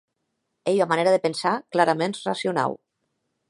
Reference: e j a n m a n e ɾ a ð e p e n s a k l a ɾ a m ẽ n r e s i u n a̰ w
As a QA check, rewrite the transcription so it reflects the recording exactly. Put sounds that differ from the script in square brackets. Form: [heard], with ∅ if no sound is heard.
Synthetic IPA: e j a [∅] m a n e ɾ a ð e p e n s a k l a ɾ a m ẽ n r [a] s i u n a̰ w